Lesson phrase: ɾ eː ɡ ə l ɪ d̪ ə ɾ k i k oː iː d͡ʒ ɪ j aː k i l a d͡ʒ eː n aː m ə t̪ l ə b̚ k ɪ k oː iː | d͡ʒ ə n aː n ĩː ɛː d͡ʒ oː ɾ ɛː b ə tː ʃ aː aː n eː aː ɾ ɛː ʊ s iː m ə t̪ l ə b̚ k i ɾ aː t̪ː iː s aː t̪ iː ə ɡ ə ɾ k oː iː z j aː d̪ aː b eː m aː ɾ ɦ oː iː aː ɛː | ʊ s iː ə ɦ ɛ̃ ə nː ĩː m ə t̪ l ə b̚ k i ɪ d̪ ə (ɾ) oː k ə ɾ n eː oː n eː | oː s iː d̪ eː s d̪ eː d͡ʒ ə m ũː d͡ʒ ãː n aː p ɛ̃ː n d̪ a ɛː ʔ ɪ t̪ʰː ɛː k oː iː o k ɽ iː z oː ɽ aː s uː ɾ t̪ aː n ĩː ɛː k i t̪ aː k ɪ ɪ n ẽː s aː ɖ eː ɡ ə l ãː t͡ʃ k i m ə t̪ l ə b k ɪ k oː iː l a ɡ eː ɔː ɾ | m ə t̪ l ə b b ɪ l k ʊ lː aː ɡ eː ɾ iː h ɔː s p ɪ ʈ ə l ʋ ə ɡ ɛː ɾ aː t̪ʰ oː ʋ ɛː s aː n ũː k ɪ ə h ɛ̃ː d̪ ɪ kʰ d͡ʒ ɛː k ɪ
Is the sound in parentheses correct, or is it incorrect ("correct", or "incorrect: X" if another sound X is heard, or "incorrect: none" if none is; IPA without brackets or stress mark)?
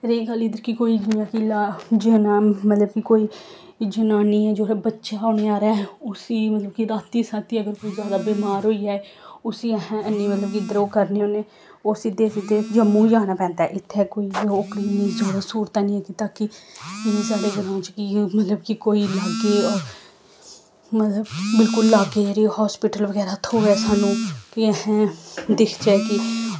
correct